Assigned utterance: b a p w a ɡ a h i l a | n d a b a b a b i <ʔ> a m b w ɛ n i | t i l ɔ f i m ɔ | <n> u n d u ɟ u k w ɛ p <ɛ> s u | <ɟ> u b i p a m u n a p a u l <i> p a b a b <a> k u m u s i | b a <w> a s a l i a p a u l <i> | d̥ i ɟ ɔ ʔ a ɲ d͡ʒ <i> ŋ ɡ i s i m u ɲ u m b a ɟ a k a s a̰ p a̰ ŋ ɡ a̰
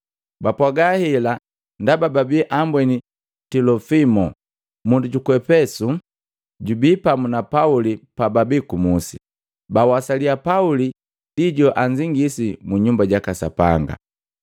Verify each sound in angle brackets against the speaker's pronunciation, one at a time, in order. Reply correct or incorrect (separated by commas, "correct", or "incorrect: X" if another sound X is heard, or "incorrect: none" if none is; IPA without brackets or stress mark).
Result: correct, incorrect: m, correct, correct, correct, incorrect: i, correct, correct, correct